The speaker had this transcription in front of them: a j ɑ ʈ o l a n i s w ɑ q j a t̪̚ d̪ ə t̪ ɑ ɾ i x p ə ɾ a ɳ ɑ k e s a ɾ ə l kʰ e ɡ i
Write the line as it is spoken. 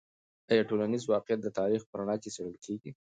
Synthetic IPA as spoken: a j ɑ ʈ o l a n i z w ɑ q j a t̪̚ d̪ ə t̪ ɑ ɾ i x p ə ɾ a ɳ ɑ k e s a ɽ ə l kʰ e ɡ i